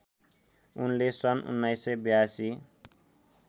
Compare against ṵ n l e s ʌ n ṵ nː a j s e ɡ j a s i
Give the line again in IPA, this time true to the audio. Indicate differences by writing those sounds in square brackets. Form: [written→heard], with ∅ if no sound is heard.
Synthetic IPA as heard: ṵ n l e s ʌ n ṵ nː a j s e [ɡ→b] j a s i